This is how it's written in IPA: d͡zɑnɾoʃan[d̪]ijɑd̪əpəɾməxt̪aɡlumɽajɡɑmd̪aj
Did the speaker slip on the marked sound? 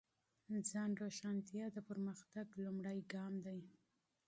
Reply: yes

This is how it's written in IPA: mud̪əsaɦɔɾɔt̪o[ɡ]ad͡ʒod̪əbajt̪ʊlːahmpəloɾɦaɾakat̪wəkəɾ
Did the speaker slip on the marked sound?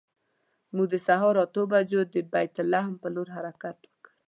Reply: yes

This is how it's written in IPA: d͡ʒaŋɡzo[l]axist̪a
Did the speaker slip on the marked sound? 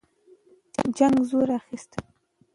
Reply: yes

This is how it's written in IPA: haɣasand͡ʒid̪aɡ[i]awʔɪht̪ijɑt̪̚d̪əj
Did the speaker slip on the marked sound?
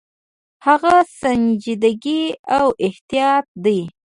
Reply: no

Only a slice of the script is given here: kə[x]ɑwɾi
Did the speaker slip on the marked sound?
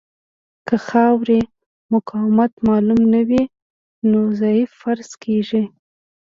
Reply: no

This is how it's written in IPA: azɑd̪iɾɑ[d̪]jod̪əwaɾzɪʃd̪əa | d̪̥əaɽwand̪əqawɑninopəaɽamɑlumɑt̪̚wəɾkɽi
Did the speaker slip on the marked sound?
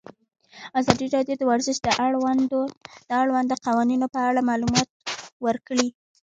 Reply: no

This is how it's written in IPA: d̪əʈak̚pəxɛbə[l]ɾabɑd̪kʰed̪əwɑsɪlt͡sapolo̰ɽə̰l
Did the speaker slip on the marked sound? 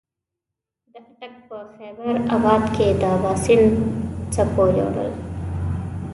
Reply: yes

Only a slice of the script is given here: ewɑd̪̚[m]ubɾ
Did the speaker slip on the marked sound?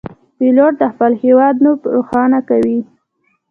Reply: yes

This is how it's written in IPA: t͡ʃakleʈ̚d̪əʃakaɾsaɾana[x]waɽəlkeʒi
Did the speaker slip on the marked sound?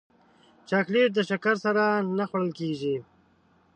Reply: no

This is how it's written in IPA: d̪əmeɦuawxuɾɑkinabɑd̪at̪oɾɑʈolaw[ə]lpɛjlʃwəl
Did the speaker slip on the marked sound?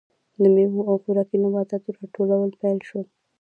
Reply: no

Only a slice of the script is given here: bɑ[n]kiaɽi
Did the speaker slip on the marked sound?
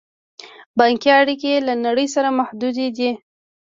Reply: yes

